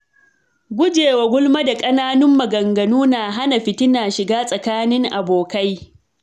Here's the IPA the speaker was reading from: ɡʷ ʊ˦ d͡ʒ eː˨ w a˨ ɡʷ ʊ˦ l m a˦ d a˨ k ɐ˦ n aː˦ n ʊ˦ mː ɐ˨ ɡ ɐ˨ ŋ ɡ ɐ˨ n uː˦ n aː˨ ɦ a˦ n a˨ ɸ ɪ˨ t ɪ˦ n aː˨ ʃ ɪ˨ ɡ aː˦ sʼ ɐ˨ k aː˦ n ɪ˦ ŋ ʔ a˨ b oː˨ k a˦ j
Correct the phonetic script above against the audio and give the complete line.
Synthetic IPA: ɡʷ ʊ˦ d͡ʒ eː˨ w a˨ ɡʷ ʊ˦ l m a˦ d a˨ kʼ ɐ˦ n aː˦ n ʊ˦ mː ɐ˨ ɡ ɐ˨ ŋ ɡ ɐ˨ n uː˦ n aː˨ ɦ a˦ n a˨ ɸ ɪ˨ t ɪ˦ n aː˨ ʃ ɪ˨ ɡ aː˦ sʼ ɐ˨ k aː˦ n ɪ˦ ŋ ʔ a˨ b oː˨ k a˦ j

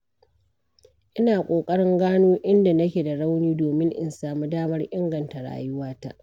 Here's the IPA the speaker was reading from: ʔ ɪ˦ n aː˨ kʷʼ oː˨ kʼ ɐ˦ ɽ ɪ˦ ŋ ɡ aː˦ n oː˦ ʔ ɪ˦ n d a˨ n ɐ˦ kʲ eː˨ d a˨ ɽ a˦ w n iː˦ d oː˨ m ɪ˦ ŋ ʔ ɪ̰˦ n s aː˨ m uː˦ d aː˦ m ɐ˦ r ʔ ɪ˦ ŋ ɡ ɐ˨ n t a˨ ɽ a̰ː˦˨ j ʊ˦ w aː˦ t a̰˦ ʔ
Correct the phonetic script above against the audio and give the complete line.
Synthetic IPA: ʔ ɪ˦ n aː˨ kʷʼ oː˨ kʼ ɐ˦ ɽ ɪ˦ ŋ ɡ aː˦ n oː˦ ʔ ɪ˦ n d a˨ n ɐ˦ kʲ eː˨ d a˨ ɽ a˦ w n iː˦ d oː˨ m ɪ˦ ŋ ʔ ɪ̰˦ n s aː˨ m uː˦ d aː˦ m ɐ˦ r ʔ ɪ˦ ŋ ɡ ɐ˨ n t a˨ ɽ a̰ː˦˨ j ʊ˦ w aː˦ t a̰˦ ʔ

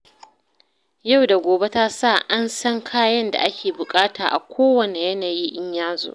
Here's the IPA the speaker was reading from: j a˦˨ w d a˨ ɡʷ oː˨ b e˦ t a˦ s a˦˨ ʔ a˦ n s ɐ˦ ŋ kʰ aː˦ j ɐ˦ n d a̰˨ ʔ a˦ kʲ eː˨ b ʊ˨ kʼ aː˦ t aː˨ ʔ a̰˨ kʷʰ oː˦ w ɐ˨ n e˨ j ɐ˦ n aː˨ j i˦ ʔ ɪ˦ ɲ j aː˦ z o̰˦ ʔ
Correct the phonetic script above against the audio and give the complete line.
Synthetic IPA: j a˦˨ w d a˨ ɡʷ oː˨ b e˦ t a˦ s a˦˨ ʔ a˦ n s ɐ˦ ŋ kʰ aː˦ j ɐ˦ n d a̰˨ ʔ a˦ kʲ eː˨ b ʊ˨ kʼ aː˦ t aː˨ ʔ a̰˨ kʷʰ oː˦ w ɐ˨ n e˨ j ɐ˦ n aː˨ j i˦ ʔ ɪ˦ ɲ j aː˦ z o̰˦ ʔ

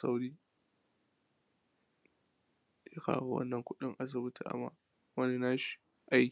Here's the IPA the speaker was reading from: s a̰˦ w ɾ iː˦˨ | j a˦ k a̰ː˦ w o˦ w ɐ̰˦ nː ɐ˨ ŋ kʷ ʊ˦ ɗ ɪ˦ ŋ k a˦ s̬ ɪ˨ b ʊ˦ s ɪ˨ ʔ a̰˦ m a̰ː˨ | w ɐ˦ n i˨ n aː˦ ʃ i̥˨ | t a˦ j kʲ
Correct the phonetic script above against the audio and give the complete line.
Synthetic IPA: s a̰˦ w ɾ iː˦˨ | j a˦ k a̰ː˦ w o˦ w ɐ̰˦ nː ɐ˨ ŋ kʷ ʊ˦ ɗ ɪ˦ ŋ ʔ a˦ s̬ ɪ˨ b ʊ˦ t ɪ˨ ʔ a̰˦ m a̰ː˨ | w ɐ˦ n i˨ n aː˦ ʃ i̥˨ | ʔ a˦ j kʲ

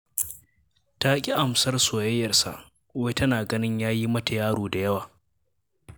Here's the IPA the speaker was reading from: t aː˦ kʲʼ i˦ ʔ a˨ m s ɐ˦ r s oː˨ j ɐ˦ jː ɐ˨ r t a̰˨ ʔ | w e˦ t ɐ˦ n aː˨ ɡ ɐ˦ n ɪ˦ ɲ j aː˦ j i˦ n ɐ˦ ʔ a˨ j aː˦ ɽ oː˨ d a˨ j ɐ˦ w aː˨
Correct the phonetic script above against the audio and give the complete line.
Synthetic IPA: t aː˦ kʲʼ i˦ ʔ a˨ m s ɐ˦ r s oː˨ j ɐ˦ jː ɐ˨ r s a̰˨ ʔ | w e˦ t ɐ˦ n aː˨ ɡ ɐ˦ n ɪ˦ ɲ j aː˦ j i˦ m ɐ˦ t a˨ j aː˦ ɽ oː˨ d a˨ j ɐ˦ w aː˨

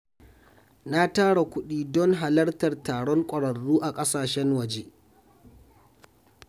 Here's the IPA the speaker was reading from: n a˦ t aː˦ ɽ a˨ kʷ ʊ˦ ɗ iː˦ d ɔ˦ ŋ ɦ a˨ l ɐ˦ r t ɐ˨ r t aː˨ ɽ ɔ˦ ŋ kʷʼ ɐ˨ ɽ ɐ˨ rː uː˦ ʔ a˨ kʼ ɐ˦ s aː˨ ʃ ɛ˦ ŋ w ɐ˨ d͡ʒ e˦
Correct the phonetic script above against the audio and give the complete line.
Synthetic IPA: n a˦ t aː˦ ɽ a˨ kʷ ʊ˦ ɗ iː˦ d ɔ˦ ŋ ɦ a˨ l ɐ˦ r t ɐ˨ r t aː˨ ɽ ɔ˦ ŋ kʷʼ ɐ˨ ɽ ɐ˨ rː uː˦ ʔ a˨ kʼ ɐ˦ s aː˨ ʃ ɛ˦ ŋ w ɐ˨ d͡ʒ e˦

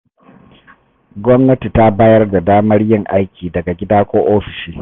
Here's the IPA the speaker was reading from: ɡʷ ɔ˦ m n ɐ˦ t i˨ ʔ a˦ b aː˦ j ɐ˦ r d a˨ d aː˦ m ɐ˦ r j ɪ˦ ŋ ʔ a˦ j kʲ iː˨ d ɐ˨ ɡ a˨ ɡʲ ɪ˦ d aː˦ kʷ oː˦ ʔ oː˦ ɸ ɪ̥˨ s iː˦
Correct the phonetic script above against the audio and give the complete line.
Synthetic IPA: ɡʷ ɔ˦ m n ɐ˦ t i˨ t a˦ b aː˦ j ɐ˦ r d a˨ d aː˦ m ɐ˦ r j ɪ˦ ŋ ʔ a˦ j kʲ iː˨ d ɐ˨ ɡ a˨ ɡʲ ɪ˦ d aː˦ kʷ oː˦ ʔ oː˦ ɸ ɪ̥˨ ʃ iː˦

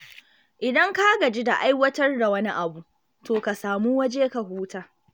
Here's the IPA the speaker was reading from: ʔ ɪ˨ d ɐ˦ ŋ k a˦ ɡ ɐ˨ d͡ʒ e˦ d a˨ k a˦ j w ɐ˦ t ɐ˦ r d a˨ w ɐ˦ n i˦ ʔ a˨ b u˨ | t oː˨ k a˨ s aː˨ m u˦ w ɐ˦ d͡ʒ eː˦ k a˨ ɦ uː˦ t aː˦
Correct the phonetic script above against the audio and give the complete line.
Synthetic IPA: ʔ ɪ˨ d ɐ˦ ŋ k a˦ ɡ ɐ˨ d͡ʒ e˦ d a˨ ʔ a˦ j w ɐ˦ t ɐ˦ r d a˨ w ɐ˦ n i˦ ʔ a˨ b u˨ | t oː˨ k a˨ s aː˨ m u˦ w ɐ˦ d͡ʒ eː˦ k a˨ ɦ uː˦ t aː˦

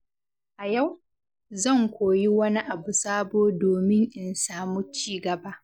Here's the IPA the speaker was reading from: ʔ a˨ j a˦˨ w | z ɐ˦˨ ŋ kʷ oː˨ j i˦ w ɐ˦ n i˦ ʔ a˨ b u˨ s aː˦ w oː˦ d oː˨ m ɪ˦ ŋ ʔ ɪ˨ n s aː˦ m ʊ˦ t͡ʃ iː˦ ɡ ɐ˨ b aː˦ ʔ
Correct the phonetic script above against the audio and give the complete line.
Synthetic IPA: ʔ a˨ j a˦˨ w | z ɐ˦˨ ŋ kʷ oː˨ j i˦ w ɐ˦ n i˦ ʔ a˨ b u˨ s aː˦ b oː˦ d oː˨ m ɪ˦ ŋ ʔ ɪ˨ n s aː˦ m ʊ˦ t͡ʃ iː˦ ɡ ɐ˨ b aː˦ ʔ

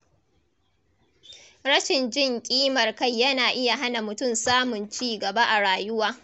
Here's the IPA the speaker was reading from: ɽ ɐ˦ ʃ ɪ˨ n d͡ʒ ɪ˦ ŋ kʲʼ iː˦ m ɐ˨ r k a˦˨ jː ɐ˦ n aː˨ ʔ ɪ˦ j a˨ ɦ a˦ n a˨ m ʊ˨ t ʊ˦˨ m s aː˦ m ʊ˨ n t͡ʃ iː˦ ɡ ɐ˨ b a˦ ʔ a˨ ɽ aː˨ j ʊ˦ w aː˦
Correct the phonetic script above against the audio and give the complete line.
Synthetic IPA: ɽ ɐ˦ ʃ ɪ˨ n d͡ʒ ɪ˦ ŋ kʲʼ iː˦ m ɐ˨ r k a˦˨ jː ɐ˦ n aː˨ ʔ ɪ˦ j a˨ ɦ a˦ n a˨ m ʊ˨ t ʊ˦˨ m s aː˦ m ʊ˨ n t͡ʃ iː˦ ɡ ɐ˨ b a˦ ʔ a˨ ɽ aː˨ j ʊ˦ w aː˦

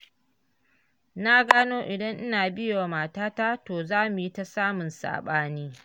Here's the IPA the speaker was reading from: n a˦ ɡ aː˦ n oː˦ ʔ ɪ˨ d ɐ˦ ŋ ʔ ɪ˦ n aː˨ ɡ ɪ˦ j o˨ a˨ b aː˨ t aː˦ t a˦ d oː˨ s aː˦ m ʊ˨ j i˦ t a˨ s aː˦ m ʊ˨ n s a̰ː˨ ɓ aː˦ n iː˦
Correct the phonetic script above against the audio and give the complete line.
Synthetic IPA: n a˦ ɡ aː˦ n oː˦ ʔ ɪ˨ d ɐ˦ ŋ ʔ ɪ˦ n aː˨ b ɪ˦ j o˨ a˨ m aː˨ t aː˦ t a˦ t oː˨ z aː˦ m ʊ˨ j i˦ t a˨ s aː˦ m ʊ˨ n s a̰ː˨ ɓ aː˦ n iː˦

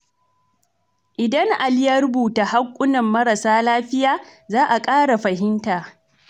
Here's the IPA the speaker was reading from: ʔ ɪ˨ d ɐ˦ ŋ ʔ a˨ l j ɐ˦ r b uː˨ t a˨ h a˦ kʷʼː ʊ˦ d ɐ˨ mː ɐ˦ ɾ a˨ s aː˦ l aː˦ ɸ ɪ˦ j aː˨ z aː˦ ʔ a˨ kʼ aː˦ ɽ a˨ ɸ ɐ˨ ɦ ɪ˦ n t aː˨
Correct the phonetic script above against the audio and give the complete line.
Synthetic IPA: ʔ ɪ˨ d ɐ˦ ŋ ʔ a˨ l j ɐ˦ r b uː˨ t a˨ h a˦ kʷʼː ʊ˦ n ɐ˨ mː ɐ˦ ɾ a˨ s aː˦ l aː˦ ɸ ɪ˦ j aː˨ z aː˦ ʔ a˨ kʼ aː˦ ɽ a˨ ɸ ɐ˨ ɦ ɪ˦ n t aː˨

